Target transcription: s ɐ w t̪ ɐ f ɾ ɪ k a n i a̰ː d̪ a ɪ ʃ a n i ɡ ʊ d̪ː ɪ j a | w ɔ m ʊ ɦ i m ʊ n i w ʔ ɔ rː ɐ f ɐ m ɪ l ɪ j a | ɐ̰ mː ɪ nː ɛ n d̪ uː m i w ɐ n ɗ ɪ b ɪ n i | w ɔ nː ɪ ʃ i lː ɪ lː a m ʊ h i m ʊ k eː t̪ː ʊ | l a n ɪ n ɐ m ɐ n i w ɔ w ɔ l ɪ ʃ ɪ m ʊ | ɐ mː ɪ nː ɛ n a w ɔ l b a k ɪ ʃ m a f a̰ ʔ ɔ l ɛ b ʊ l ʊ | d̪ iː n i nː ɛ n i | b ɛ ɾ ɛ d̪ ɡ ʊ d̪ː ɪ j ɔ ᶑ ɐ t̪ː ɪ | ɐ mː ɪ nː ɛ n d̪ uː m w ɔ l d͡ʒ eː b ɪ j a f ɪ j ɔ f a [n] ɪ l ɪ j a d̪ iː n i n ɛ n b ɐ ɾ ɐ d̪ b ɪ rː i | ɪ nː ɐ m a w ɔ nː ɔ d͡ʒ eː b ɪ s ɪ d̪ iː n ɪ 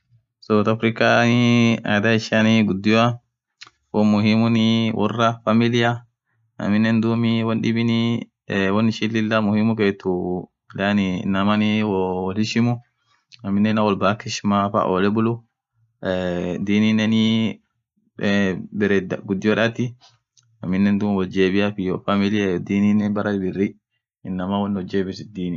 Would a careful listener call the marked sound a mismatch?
yes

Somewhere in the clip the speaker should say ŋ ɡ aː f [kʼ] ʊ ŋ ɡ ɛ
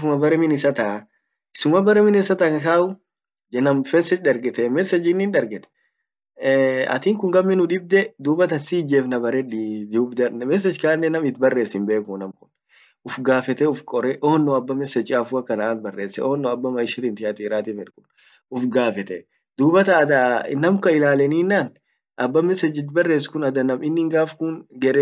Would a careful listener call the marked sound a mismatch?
yes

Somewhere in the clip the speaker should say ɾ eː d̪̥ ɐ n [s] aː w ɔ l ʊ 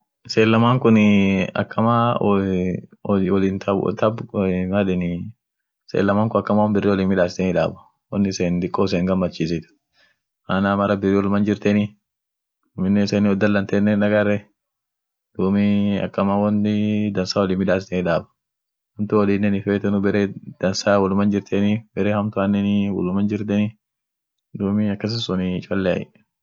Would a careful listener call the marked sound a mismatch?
no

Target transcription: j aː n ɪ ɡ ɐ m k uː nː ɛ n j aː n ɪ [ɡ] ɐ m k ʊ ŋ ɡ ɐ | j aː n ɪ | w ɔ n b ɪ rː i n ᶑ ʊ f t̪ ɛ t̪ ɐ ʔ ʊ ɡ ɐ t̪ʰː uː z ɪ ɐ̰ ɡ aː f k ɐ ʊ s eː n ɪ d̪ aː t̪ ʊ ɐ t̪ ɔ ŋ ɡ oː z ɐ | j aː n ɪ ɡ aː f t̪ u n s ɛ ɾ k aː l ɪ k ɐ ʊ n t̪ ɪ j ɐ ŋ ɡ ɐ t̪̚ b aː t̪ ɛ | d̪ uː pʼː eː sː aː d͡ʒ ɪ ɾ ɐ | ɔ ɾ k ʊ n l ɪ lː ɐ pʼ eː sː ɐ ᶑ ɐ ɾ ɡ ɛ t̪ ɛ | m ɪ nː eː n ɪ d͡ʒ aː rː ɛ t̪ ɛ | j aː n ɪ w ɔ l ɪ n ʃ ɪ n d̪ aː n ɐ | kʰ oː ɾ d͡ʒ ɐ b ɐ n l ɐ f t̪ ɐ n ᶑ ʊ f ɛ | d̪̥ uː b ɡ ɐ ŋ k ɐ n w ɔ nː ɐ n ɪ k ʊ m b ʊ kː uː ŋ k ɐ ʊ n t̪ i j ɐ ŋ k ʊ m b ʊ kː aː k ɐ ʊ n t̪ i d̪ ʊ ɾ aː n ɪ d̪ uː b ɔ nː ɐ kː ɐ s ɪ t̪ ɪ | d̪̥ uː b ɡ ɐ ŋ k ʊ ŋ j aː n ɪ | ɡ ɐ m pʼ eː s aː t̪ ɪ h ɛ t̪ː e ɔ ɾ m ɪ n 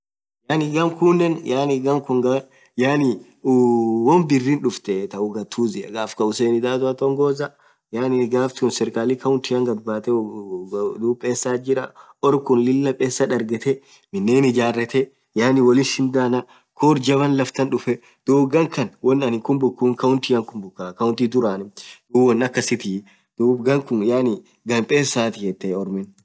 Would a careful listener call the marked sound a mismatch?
no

